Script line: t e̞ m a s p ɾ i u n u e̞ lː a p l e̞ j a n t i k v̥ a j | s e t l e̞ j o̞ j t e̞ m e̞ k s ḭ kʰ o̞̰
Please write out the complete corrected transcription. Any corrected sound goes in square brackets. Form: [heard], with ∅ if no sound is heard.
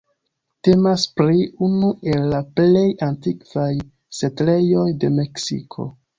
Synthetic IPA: t e̞ m a s p ɾ i u n u e̞ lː a p l e̞ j a n t i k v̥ a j | s e t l e̞ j o̞ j [d] e̞ m e̞ k s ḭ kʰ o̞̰

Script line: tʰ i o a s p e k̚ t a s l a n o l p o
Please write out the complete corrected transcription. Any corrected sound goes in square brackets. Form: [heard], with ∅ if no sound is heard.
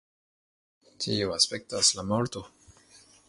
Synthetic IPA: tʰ i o a s p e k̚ t a s l a [m] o l [t] o

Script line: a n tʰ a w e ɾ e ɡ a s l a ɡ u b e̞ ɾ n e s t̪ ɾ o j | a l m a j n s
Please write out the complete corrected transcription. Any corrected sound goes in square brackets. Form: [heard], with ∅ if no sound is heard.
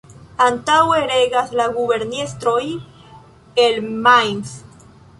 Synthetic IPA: a n [t] a w e ɾ e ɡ a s l a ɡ u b e̞ ɾ n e s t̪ ɾ o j | [e] l m a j n s

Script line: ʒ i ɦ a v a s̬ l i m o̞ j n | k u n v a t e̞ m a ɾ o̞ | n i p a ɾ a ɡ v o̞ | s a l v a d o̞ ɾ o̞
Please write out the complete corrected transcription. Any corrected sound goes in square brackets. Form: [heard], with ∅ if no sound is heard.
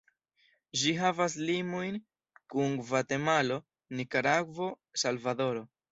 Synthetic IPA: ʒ i ɦ a v a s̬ l i m o̞ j n | k u n v a t e̞ m a [l] o̞ | n i [k] a ɾ a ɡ v o̞ | s a l v a d o̞ ɾ o̞

